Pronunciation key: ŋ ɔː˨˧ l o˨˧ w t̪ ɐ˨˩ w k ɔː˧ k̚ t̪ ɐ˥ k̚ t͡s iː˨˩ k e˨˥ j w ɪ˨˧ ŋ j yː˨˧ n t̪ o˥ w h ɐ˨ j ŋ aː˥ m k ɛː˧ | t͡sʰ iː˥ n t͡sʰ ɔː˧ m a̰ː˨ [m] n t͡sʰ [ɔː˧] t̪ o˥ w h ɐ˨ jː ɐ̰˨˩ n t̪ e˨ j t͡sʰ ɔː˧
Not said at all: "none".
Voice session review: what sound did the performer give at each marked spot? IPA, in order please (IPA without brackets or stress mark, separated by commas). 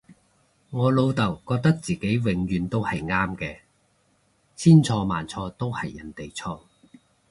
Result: none, ɔː˧